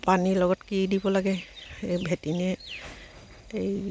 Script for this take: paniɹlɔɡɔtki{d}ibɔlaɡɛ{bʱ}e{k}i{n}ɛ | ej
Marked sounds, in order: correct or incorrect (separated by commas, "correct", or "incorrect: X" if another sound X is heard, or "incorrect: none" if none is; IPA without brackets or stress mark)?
correct, correct, incorrect: t, correct